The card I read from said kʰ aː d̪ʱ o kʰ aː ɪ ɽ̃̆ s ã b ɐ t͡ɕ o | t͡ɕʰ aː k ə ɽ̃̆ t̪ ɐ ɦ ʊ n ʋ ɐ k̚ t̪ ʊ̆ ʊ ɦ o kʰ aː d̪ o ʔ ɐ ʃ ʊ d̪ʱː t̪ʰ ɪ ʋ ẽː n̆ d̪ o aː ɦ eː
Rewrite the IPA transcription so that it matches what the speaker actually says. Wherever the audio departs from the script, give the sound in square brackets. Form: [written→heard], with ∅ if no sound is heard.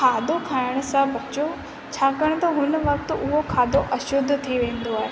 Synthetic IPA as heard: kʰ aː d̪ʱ o kʰ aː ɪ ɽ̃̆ s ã b ɐ t͡ɕ o | t͡ɕʰ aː k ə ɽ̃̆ t̪ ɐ ɦ ʊ n ʋ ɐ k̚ t̪ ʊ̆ ʊ ɦ o kʰ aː d̪ o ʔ ɐ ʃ ʊ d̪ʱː t̪ʰ [ɪ→i] ʋ ẽː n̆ d̪ o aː ɦ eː

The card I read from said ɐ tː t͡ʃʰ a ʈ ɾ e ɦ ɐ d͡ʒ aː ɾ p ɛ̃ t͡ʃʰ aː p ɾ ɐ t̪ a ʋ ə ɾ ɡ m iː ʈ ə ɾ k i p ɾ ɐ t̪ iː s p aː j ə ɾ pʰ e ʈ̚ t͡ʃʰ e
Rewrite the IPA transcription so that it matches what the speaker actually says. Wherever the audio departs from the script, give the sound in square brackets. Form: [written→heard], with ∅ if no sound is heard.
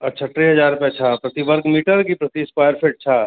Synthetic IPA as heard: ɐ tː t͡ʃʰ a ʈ ɾ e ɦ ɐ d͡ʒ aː ɾ p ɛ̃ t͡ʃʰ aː p ɾ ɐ t̪ [a→i] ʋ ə ɾ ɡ m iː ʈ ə ɾ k i p ɾ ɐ t̪ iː s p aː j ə ɾ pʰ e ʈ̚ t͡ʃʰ [e→a]

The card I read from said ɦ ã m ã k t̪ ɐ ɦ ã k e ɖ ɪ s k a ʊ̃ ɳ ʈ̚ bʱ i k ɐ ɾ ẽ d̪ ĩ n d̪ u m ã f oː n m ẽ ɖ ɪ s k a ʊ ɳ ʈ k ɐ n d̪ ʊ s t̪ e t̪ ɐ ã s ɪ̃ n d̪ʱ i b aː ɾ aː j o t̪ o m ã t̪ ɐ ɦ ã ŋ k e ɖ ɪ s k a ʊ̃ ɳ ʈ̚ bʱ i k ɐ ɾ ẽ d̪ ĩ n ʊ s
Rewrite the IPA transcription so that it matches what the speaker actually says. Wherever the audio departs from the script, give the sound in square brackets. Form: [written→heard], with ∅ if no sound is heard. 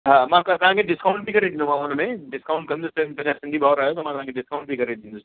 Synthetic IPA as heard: ɦ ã m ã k t̪ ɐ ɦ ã k e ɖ ɪ s k a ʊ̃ ɳ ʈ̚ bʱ i k ɐ ɾ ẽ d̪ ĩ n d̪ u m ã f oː n m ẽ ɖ ɪ s k a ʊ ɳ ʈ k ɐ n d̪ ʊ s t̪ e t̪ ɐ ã s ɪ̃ n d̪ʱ i b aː ɾ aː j o t̪ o m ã t̪ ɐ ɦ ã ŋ k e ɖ ɪ s k a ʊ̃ ɳ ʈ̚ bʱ i k ɐ ɾ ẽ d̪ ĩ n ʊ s

